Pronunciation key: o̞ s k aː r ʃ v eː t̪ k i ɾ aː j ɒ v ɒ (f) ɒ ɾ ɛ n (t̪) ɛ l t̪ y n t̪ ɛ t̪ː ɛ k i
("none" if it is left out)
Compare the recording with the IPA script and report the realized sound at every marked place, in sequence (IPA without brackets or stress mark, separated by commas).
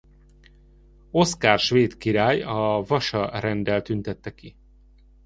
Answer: ʃ, d̪